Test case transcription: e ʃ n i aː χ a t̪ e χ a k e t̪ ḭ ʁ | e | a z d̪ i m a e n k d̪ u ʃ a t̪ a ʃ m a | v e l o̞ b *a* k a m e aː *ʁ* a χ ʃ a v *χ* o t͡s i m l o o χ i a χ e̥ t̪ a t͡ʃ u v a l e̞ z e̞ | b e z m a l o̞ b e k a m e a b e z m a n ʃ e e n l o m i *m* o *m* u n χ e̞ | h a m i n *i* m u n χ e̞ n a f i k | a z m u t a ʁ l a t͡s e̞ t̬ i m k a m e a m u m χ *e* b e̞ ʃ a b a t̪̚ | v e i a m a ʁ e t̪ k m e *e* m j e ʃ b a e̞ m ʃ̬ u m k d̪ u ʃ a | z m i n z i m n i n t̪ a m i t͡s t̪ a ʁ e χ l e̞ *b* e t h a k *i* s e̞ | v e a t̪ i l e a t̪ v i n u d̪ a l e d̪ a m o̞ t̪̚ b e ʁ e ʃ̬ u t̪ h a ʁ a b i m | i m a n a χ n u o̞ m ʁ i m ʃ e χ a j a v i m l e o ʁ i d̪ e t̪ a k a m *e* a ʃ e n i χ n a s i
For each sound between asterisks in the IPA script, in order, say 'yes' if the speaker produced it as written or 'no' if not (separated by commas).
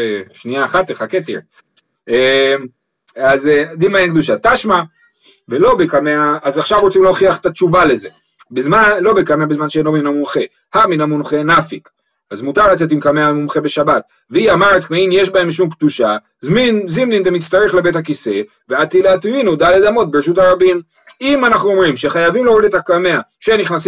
no, no, no, no, yes, no, yes, no, yes, yes, yes